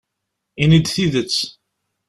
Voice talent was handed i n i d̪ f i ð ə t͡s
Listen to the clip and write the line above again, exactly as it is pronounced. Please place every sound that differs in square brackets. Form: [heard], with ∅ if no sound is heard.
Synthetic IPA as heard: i n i d̪ [θ] i ð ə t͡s